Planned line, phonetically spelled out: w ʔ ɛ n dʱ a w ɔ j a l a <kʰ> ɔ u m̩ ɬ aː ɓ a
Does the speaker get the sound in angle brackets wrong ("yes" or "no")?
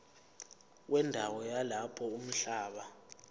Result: yes